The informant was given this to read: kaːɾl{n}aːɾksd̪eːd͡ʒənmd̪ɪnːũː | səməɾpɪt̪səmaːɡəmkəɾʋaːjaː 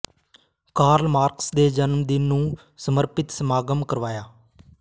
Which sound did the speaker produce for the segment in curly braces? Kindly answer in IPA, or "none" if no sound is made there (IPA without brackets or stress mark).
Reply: m